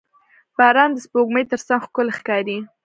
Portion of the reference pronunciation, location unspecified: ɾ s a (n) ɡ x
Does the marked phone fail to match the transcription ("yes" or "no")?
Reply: yes